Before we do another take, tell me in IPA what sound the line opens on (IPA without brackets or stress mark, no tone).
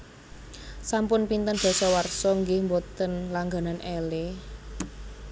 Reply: s